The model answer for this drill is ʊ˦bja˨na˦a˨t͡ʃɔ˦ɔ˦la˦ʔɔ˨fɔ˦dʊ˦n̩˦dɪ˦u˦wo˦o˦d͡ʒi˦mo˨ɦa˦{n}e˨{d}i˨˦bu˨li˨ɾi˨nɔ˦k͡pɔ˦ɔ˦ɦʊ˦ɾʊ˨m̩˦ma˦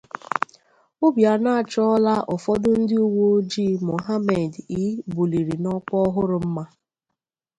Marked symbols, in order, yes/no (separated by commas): no, yes